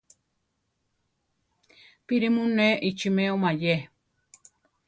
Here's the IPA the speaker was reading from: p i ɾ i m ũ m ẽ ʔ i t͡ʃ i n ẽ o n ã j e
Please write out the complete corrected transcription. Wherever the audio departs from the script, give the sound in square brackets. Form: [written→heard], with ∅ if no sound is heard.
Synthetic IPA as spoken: p i ɾ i m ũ [m→n] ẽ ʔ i t͡ʃ i [n→m] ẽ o [n→m] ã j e